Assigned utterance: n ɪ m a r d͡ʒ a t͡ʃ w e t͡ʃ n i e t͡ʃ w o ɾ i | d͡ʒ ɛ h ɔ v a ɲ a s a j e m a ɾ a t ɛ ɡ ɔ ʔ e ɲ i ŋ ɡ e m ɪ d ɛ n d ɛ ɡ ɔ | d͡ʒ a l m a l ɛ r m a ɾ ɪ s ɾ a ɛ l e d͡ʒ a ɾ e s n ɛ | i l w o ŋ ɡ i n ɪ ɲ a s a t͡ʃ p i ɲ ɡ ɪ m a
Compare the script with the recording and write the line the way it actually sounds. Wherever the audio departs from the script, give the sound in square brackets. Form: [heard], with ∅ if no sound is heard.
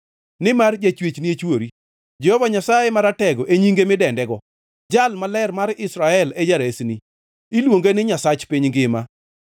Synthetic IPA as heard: n ɪ m a r d͡ʒ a t͡ʃ w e t͡ʃ n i e t͡ʃ w o ɾ i | d͡ʒ ɛ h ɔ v a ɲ a s a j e m a ɾ a t ɛ ɡ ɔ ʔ e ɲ i ŋ ɡ e m ɪ d ɛ n d ɛ ɡ ɔ | d͡ʒ a l m a l ɛ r m a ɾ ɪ s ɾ a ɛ l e d͡ʒ a ɾ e s n [i] | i l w o ŋ ɡ [e] n ɪ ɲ a s a t͡ʃ p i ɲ ɡ ɪ m a